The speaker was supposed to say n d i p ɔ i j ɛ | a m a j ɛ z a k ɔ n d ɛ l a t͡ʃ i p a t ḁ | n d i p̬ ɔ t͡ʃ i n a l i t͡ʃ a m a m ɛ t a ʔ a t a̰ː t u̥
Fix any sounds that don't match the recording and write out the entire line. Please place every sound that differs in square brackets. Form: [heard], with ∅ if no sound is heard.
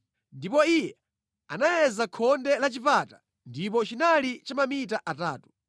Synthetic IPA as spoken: n d i p ɔ i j ɛ | a [n] a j ɛ z a [kʰ] ɔ n d ɛ l a t͡ʃ i p a t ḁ | n d i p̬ ɔ t͡ʃ i n a l i t͡ʃ a m a m [i] t a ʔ a t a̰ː t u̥